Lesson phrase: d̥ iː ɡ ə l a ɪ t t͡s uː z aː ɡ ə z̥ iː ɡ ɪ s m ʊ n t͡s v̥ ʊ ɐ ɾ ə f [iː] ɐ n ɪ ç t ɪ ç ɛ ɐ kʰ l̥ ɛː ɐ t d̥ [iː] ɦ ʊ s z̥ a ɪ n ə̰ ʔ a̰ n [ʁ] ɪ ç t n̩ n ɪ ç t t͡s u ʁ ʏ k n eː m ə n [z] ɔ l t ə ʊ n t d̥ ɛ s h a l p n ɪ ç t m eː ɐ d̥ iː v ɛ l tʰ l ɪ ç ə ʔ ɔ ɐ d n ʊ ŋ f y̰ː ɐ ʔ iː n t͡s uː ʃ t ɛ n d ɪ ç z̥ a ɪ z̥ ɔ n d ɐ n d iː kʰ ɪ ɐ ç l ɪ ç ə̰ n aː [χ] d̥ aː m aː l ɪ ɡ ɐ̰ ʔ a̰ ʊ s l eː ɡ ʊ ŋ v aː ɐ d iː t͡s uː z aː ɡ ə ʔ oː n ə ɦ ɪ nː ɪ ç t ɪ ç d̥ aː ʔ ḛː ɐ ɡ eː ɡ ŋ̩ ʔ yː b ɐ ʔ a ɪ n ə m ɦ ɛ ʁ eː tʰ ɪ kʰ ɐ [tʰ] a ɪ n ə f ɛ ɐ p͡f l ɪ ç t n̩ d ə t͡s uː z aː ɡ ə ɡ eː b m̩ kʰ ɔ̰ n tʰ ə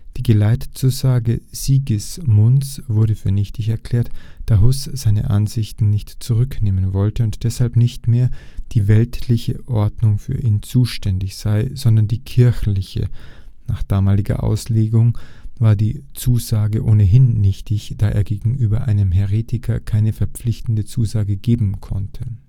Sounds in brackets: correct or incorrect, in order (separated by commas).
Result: incorrect, incorrect, incorrect, incorrect, correct, incorrect